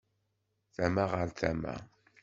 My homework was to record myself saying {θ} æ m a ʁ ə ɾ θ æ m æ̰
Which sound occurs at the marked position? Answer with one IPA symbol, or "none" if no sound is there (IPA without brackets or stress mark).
θ